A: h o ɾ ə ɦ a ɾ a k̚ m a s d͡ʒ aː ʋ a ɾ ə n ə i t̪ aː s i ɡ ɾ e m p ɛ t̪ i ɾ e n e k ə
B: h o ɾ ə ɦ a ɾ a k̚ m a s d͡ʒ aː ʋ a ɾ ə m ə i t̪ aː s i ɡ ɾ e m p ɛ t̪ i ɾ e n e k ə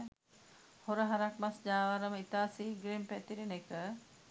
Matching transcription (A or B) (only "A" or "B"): B